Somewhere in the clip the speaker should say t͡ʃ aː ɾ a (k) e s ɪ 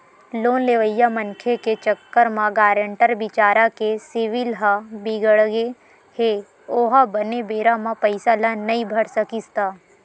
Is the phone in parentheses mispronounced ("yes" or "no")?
no